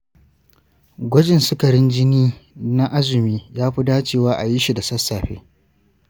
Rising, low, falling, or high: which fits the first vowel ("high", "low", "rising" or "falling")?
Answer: high